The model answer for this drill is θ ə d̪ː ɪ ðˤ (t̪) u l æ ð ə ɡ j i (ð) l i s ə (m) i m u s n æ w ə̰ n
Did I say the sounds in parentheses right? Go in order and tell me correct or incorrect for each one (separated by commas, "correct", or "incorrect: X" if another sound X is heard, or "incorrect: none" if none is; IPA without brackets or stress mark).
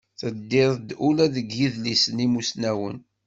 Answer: incorrect: d̪, correct, incorrect: n